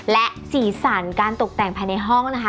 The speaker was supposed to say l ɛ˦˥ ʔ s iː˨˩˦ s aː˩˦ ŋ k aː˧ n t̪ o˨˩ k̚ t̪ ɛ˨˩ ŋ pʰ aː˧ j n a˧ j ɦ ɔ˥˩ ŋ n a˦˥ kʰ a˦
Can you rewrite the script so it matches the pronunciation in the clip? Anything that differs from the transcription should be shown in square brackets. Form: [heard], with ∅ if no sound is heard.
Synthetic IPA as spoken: l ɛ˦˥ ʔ s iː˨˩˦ s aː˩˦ [n] k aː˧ n t̪ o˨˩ k̚ t̪ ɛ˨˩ ŋ pʰ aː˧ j n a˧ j ɦ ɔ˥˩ ŋ n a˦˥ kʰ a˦